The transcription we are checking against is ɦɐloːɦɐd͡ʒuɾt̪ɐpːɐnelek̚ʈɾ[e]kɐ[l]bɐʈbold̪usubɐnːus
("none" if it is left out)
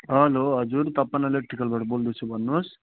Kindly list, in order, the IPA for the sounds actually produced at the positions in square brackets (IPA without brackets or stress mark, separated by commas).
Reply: i, l